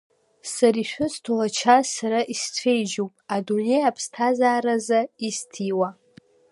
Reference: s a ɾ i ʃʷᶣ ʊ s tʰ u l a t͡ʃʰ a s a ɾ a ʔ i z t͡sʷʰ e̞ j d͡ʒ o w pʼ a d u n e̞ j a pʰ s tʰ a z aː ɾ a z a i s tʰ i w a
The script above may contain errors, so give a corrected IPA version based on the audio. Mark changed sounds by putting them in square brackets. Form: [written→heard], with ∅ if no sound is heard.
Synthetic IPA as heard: s a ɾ i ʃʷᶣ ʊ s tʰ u l a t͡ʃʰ a s a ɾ a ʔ i [z→s] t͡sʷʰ e̞ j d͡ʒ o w pʼ a d u n e̞ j a pʰ s tʰ a z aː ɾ a z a i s tʰ i w a